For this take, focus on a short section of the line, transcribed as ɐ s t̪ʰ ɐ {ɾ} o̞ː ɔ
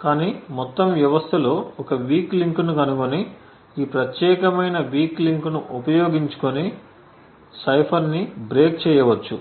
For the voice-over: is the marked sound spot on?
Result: no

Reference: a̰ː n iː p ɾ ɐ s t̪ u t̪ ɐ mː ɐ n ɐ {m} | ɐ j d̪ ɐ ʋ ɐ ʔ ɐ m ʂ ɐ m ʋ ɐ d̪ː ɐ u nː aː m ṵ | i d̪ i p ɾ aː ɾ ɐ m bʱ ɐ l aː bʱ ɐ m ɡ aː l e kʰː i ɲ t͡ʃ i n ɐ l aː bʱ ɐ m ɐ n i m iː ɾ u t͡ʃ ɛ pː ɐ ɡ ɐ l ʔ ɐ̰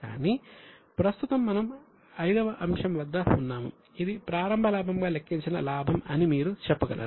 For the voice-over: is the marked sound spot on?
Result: yes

